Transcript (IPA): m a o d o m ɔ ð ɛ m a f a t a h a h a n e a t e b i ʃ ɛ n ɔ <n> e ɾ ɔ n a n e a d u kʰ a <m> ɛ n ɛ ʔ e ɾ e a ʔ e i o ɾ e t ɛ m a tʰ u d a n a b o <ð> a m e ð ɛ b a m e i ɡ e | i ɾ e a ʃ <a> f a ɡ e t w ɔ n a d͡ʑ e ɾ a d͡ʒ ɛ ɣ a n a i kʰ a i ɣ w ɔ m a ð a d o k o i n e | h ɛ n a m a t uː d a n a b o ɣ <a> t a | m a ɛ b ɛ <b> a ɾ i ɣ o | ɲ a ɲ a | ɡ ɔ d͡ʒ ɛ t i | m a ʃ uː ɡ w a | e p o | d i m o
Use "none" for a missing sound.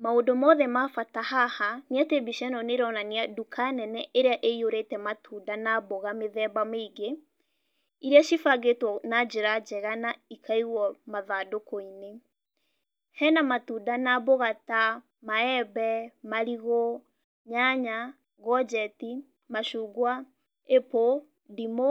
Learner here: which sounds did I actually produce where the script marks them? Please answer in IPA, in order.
n, n, ɣ, i, a, m

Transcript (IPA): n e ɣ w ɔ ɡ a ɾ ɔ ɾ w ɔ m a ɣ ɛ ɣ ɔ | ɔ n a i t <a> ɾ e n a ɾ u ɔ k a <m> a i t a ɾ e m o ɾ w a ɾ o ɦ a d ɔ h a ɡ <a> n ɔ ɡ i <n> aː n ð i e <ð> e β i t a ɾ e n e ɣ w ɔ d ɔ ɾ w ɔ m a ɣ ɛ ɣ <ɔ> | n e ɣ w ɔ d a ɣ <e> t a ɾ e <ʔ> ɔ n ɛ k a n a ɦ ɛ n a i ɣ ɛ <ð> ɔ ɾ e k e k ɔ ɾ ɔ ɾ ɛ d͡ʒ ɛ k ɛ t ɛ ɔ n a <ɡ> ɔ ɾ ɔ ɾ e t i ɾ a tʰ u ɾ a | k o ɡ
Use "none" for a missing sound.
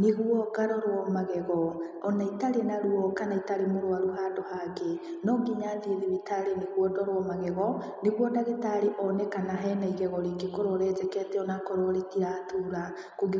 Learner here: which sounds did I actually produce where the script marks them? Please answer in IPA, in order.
a, n, e, ɲ, ð, ɔ, e, ʔ, ɣ, k

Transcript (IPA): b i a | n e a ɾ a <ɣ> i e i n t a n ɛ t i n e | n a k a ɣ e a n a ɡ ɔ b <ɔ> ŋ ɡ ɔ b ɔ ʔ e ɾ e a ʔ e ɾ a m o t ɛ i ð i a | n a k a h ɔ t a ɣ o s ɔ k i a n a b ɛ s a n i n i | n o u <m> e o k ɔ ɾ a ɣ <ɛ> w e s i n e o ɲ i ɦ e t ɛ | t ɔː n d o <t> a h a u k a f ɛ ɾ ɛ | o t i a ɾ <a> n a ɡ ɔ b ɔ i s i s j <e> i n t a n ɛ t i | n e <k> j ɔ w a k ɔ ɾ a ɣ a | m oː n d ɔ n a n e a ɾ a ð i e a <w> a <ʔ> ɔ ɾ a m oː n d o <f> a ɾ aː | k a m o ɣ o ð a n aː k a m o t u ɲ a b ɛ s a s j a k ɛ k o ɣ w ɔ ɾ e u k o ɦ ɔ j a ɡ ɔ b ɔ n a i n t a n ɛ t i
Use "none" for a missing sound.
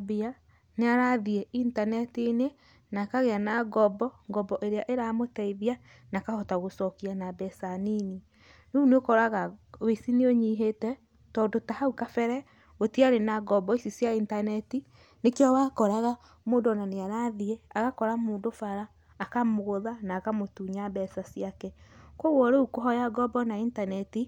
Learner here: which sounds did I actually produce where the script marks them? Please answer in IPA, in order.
ð, ɔ, n, a, t, e, a, k, ɣ, k, f

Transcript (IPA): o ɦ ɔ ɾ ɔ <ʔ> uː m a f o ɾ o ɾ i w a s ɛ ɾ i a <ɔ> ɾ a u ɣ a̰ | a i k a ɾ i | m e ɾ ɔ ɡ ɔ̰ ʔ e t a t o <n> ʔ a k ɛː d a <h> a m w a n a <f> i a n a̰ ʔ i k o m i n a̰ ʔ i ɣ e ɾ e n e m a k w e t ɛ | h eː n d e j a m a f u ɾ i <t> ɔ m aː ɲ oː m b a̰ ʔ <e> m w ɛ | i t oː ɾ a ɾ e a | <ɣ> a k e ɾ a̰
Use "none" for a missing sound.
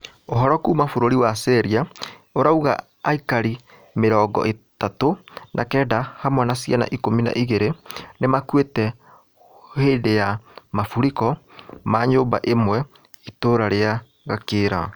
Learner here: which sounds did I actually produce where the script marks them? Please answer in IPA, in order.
k, o, n, h, s, k, e, ɣ

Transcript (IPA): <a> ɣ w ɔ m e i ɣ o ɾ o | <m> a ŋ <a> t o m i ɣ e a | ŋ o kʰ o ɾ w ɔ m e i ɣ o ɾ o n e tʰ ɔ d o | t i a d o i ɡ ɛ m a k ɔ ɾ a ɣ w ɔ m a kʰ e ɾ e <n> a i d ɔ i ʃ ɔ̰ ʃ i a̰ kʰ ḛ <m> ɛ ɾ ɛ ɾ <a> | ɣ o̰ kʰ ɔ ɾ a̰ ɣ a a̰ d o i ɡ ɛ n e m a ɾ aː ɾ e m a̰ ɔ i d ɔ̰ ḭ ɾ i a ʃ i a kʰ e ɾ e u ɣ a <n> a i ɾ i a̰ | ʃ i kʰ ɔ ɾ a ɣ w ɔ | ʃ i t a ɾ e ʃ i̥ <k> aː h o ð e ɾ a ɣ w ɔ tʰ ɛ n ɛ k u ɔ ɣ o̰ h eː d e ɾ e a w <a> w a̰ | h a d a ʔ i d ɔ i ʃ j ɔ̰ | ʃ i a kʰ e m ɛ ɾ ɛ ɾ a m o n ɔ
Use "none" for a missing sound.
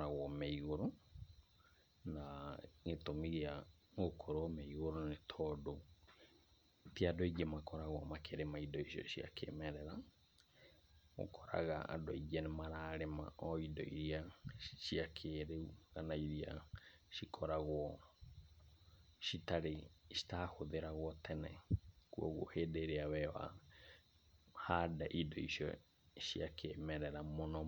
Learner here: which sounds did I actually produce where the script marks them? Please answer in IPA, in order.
a, n, e, m, m, a, n, t, ɛ

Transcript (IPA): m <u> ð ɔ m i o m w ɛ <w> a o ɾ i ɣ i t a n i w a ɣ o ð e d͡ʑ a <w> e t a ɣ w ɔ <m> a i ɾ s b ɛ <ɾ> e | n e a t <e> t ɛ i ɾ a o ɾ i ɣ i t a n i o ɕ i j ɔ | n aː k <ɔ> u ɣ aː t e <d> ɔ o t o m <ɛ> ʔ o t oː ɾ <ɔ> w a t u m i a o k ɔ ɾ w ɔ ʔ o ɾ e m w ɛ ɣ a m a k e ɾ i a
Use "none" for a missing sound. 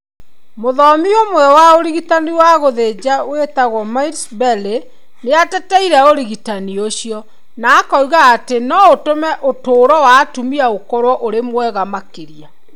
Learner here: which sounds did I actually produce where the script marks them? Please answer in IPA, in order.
o, w, w, m, l, ɛ, ɔ, n, ɛ, ɔ

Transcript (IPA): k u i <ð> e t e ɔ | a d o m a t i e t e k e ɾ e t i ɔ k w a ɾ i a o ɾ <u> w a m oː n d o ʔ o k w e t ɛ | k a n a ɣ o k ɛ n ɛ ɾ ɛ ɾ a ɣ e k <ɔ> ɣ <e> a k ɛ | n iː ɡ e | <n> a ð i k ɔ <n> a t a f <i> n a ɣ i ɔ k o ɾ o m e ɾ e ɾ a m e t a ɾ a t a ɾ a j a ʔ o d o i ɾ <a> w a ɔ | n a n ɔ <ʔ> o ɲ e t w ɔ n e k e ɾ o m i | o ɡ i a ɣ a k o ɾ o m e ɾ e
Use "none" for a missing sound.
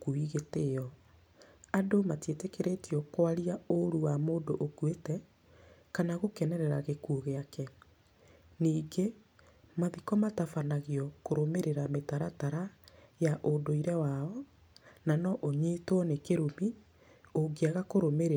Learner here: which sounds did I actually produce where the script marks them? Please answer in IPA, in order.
ɣ, u, u, e, m, m, a, ɛ, ʔ

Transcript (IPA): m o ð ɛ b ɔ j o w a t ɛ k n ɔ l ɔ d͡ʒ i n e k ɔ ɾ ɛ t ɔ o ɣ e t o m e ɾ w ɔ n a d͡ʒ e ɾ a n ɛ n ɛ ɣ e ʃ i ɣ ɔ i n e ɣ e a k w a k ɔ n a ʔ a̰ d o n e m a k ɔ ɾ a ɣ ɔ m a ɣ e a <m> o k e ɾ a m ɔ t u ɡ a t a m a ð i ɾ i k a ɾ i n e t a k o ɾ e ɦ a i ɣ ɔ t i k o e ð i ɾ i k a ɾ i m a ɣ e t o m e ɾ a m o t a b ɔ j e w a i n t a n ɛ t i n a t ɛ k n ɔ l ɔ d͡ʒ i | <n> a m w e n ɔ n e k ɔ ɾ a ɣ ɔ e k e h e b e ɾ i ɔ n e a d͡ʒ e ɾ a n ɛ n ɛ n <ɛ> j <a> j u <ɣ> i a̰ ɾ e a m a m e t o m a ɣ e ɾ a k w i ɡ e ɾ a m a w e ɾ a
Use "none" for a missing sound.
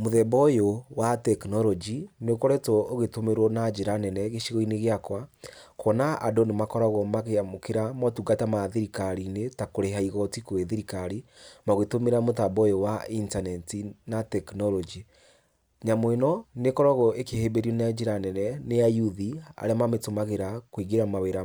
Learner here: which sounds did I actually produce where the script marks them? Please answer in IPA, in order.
m, ɲ, e, a, ð

